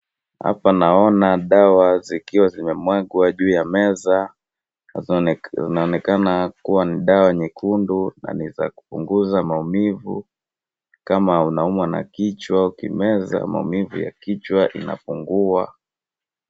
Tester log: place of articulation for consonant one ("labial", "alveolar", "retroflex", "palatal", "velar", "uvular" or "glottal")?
glottal